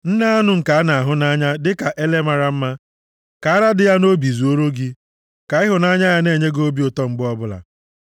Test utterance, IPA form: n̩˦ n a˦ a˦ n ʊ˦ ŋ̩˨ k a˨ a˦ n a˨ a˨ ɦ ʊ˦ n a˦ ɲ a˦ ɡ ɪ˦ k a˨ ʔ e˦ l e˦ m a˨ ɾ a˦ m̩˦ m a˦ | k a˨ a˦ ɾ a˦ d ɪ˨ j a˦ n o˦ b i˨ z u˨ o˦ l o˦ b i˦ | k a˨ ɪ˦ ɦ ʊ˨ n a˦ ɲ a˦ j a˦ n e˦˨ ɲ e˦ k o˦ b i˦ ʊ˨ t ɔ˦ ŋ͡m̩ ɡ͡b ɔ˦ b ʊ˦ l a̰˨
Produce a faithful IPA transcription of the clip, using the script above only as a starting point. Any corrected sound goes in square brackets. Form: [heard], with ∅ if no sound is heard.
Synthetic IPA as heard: n̩˦ n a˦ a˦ n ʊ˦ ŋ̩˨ k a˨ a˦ n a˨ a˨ ɦ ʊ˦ n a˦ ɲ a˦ [d] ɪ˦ k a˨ ʔ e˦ l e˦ m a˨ ɾ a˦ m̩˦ m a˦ | k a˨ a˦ ɾ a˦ d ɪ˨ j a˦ n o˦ b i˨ z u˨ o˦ [ɾ] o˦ [ɡ] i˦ | k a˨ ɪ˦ ɦ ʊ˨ n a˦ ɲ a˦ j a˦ n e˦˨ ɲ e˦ [ɡ] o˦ b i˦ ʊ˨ t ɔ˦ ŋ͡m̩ ɡ͡b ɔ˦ b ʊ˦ l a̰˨